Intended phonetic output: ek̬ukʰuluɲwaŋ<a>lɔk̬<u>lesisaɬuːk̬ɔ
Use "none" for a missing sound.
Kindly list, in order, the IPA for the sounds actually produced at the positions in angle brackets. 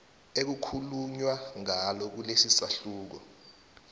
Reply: a, u

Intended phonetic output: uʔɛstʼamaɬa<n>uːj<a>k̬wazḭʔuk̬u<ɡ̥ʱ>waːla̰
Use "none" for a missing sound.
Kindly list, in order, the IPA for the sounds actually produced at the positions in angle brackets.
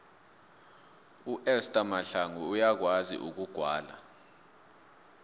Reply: ŋ, a, ɡ̥ʱ

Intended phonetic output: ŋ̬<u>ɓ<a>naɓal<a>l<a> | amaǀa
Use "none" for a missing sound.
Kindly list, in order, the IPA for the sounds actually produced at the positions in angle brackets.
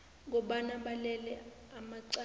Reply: ɔ, a, ɛ, ɛ

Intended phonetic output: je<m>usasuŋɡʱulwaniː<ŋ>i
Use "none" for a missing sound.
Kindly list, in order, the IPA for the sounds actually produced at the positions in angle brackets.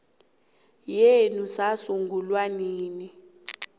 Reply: n, n

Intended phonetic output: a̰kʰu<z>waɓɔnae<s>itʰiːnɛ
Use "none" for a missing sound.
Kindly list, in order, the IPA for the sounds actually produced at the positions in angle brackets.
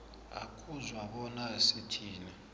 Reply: z, s

